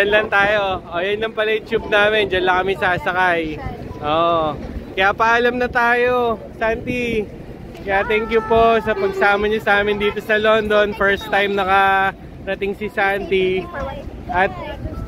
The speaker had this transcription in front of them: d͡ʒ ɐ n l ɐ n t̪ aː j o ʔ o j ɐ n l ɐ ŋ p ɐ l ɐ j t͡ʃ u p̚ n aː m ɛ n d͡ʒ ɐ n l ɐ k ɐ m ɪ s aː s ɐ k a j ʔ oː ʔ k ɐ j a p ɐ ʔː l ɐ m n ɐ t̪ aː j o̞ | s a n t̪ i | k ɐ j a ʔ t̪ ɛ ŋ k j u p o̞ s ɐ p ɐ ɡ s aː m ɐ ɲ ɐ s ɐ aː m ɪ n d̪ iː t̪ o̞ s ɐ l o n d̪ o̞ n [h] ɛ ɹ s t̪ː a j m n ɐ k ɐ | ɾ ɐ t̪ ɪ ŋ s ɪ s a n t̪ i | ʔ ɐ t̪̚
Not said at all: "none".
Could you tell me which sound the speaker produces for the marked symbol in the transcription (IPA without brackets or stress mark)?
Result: f